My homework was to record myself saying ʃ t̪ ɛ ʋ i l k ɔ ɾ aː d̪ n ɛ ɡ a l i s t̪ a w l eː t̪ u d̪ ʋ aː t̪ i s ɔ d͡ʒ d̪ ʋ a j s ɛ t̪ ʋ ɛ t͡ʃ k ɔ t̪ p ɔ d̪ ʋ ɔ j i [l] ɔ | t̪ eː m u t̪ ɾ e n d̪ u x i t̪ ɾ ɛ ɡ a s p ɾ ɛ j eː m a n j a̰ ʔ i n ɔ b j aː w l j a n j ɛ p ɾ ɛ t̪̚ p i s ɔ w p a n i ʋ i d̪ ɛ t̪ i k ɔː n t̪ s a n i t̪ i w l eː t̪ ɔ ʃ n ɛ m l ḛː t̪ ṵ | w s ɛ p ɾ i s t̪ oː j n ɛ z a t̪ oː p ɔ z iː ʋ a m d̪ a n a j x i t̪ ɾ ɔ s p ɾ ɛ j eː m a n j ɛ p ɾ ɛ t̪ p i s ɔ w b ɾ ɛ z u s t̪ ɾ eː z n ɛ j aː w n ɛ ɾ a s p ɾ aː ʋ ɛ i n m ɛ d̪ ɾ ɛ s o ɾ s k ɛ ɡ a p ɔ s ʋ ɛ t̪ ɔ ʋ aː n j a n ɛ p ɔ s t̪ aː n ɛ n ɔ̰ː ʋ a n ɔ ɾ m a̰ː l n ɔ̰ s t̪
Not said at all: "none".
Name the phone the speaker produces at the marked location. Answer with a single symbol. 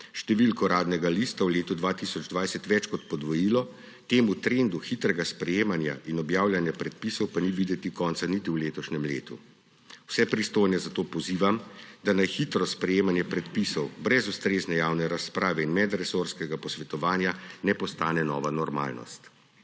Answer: l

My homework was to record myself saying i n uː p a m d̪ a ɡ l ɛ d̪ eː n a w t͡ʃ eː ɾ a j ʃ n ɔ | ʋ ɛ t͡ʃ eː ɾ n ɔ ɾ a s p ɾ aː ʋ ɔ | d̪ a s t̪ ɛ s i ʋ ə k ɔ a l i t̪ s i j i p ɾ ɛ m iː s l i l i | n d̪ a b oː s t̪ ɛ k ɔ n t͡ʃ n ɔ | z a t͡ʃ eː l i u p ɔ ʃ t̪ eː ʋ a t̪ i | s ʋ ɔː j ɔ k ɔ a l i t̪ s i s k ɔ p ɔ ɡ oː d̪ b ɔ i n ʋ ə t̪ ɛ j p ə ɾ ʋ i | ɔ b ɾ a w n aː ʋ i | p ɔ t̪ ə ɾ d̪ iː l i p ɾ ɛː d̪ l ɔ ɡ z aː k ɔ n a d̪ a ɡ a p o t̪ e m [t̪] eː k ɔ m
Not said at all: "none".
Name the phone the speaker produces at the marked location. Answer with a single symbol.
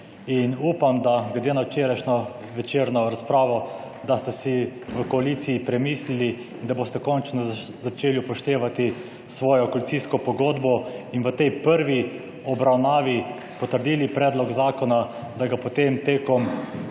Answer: t̪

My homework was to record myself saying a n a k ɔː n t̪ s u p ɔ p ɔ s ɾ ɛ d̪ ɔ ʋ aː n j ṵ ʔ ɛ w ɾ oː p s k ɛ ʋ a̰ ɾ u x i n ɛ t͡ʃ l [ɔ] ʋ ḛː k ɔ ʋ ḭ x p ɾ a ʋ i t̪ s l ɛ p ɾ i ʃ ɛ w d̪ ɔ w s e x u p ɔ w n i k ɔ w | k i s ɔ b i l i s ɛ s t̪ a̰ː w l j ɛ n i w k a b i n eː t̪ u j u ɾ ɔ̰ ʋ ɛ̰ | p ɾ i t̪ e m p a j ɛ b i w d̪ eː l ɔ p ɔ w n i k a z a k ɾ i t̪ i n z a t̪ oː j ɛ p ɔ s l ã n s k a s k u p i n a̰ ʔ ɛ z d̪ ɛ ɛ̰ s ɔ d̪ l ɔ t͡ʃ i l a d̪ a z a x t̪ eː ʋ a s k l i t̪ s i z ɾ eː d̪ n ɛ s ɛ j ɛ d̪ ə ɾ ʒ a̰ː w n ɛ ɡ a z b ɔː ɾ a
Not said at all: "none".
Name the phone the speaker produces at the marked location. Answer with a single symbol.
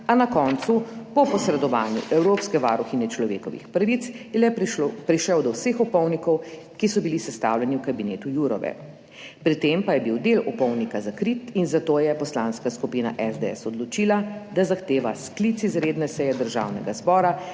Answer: ɔ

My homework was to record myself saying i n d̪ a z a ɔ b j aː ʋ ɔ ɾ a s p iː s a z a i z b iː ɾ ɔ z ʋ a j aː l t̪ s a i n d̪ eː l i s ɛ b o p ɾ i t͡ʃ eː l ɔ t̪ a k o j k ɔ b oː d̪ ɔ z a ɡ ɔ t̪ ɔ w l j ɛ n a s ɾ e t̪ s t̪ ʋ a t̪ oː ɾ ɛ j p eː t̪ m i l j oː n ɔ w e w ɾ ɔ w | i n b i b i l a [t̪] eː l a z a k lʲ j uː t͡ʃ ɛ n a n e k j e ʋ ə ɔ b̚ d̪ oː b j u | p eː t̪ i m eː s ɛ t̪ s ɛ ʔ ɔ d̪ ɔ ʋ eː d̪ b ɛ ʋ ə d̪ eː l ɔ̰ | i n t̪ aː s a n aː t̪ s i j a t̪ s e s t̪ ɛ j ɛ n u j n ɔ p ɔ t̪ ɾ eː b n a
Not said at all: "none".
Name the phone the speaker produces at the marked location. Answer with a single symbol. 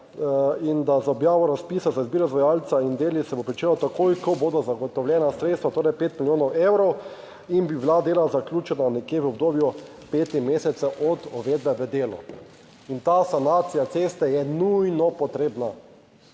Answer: d̪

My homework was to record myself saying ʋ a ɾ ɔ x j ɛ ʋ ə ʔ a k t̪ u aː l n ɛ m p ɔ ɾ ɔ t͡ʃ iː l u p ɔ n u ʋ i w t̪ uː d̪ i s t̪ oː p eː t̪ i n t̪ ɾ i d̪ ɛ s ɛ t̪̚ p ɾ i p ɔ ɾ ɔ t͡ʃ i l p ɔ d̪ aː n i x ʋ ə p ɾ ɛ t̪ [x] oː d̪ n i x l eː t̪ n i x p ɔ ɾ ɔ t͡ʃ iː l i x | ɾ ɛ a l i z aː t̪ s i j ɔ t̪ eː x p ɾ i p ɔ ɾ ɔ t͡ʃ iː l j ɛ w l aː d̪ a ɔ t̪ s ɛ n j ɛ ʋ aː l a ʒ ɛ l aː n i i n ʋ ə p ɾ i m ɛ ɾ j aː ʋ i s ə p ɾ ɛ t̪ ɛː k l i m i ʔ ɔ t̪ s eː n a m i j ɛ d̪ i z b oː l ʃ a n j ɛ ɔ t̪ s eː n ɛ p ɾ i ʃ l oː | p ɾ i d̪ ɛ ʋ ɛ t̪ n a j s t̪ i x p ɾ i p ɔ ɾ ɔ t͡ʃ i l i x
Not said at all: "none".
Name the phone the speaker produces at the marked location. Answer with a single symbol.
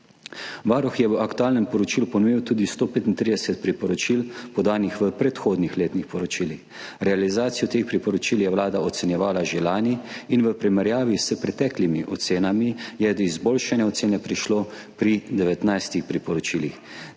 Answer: x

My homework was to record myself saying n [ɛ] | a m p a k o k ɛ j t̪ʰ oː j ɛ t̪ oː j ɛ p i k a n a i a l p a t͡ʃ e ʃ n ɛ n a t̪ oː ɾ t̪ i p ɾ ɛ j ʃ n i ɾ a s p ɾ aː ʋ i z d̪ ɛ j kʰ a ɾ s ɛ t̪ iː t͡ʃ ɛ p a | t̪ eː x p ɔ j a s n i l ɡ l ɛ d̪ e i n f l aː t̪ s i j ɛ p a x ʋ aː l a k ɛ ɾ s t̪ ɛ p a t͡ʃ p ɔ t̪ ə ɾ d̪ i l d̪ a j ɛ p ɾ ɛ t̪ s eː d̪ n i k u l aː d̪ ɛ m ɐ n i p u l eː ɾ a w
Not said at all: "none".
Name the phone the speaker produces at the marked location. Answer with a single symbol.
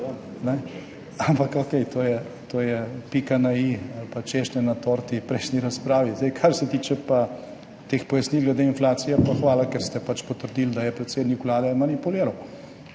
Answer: ɛ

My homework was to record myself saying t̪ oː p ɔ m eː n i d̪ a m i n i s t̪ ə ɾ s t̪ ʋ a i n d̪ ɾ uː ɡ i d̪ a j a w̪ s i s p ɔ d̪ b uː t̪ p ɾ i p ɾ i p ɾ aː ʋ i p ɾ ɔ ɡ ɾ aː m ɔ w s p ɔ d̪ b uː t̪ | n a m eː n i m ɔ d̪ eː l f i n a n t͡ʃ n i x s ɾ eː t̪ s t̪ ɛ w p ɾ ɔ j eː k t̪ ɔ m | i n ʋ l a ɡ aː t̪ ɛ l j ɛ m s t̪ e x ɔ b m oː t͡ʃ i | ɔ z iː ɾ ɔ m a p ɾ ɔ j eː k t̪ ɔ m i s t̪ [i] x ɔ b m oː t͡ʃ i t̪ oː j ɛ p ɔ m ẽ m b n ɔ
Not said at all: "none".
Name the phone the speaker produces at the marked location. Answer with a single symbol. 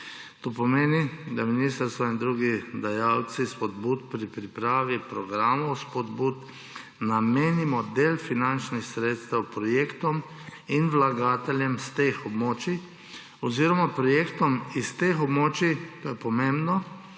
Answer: e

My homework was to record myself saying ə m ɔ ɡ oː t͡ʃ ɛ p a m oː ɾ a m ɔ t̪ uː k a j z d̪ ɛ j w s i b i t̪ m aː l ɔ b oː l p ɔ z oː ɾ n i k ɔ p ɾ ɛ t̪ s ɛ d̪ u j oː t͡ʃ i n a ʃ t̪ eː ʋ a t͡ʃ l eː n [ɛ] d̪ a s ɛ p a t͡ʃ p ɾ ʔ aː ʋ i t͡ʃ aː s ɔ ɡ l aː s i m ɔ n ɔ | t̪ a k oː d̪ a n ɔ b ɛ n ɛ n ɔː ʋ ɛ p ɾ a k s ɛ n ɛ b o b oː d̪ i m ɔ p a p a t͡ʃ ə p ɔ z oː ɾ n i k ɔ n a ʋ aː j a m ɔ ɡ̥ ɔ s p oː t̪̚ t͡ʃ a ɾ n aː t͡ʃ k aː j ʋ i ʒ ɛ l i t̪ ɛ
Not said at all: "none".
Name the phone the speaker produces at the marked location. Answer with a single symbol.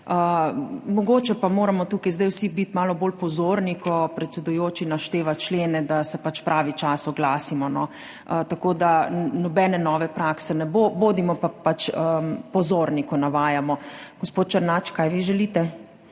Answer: ɛ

